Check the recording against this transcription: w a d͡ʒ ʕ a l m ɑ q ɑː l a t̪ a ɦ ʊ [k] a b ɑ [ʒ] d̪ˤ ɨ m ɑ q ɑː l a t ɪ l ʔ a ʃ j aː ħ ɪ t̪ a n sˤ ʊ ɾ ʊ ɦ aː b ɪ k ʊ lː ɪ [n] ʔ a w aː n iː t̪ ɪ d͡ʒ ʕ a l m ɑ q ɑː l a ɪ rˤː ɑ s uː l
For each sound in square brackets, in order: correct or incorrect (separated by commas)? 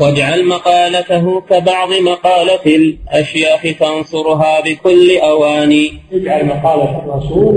correct, incorrect, incorrect